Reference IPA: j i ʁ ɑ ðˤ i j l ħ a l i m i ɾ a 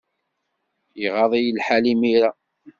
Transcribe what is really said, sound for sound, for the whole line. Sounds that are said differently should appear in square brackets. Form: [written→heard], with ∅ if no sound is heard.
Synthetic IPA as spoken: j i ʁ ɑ ðˤ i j l ħ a l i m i ɾ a